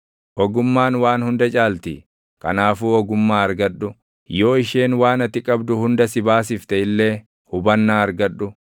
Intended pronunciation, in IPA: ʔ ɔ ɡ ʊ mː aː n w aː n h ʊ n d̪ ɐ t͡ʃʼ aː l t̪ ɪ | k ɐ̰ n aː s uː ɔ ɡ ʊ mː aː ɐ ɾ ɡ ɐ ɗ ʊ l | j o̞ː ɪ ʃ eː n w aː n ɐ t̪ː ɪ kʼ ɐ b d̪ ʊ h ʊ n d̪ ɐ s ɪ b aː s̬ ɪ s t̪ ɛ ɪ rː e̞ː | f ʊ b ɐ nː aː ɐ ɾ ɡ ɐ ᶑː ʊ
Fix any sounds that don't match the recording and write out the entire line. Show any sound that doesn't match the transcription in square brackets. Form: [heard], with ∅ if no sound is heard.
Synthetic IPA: ʔ ɔ ɡ ʊ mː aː n w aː n h ʊ n d̪ ɐ t͡ʃʼ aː l t̪ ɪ | k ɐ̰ n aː [f] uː ɔ ɡ ʊ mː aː ɐ ɾ ɡ ɐ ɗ ʊ [∅] | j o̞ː ɪ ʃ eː n w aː n ɐ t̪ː ɪ kʼ ɐ b d̪ ʊ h ʊ n d̪ ɐ s ɪ b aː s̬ ɪ [f] t̪ ɛ ɪ [lː] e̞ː | [h] ʊ b ɐ nː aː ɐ ɾ ɡ ɐ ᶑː ʊ